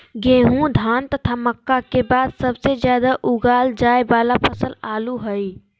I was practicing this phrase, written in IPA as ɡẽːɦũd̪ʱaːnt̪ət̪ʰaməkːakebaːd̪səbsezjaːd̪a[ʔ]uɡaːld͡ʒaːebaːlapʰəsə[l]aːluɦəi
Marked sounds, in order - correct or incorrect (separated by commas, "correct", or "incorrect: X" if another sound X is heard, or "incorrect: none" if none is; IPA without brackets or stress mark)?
correct, correct